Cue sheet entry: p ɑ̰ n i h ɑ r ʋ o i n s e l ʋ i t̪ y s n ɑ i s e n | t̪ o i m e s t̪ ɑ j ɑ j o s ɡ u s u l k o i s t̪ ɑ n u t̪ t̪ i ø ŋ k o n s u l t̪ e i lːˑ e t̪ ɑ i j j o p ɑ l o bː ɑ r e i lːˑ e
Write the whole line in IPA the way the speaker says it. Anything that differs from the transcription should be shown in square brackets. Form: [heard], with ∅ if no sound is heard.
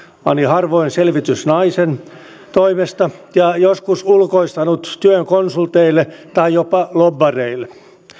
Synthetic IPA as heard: p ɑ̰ n i h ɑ r ʋ o i n s e l ʋ i t̪ y s n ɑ i s e n | t̪ o i m e s t̪ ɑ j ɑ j o s [k] u s u l k o i s t̪ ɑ n u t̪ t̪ [y] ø ŋ k o n s u l t̪ e i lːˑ e t̪ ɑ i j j o p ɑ l o bː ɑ r e i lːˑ e